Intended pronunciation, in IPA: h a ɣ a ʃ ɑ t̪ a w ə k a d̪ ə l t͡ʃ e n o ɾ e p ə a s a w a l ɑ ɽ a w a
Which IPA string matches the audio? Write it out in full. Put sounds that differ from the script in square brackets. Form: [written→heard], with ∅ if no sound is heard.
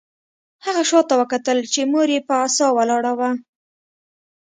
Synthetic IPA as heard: h a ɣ a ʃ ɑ t̪ a w ə k a [d̪→t̪] ə l t͡ʃ e [n→m] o ɾ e p ə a s [a→ɑ] w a l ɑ ɽ a w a